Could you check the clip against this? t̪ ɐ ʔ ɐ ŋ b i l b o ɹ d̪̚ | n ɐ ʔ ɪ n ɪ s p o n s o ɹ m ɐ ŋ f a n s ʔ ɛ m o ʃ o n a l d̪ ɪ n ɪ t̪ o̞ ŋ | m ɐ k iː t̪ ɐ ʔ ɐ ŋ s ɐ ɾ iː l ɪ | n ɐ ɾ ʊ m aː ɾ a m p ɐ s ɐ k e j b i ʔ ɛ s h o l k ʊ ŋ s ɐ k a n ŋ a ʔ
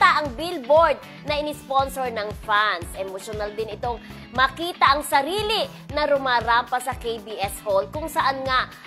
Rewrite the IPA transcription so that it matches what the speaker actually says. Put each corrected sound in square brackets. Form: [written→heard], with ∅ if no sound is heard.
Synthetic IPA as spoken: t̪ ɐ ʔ ɐ ŋ b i l b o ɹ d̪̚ | n ɐ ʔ ɪ n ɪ s p o n s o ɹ [m→n] ɐ ŋ f a n s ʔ ɛ m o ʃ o n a l d̪ ɪ n ɪ t̪ o̞ ŋ | m ɐ k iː t̪ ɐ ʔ ɐ ŋ s ɐ ɾ iː l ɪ | n ɐ ɾ ʊ m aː ɾ a m p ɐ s ɐ k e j b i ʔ ɛ s h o l k ʊ ŋ s ɐ [k→ʔ] a n ŋ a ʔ

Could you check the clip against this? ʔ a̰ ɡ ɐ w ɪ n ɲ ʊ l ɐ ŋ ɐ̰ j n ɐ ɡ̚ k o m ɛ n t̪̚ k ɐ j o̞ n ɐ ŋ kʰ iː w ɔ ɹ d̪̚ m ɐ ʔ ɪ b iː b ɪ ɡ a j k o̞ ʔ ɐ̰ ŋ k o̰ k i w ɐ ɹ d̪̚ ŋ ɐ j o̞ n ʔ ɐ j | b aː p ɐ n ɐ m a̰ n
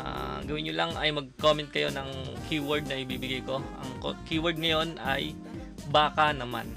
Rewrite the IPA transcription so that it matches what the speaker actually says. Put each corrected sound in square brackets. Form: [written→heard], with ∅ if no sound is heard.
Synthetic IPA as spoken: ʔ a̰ ɡ ɐ w ɪ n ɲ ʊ l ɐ ŋ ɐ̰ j [n→m] ɐ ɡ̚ k o m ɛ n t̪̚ k ɐ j o̞ n ɐ ŋ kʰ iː w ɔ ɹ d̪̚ [m→n] ɐ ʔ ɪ b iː b ɪ ɡ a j k o̞ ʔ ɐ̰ ŋ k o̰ k i w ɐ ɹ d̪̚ ŋ ɐ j o̞ n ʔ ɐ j | b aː [p→k] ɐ n ɐ m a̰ n

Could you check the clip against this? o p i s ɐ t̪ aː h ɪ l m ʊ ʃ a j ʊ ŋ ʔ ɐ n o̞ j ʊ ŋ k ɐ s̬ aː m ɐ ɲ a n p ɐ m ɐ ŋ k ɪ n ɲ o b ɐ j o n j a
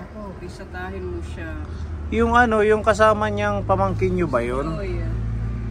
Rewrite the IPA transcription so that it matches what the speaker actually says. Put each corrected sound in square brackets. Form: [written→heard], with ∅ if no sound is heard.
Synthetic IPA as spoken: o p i s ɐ t̪ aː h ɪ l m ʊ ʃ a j ʊ ŋ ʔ ɐ n o̞ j ʊ ŋ k ɐ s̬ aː m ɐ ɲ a [n→ŋ] p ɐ m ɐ ŋ k ɪ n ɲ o b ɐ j o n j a

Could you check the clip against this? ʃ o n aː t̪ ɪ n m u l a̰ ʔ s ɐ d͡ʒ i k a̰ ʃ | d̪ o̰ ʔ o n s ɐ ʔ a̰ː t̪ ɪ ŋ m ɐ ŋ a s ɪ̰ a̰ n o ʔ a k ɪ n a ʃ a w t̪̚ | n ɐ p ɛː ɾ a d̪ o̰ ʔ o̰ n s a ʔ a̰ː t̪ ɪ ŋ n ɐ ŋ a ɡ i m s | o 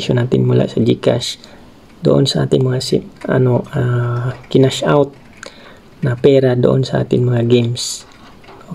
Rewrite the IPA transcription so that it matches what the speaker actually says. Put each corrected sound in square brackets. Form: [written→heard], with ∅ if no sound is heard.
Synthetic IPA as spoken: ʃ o n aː t̪ ɪ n m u l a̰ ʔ s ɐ d͡ʒ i k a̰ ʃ | d̪ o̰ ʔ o n s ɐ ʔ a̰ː t̪ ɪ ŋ m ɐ ŋ a s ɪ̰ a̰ n o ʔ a k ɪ n a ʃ a w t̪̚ | n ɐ p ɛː ɾ a d̪ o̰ ʔ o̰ n s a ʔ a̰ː t̪ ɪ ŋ [n→m] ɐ ŋ a ɡ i m s | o

